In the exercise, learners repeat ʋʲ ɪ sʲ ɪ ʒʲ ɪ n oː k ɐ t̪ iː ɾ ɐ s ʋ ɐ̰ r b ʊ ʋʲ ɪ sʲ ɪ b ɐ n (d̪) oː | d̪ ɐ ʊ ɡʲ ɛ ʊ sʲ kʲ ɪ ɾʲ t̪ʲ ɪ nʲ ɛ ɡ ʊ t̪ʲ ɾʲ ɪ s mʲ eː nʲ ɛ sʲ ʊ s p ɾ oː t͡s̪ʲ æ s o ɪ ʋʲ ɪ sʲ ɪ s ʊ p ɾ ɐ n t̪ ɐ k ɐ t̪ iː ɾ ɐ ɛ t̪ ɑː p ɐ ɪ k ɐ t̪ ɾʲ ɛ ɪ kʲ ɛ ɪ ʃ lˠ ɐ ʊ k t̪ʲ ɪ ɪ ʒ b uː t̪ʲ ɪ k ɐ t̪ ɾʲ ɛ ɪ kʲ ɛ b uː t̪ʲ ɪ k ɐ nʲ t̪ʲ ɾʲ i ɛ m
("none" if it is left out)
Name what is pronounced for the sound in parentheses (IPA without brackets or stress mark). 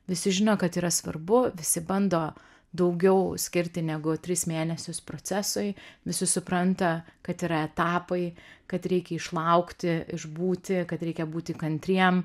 d̪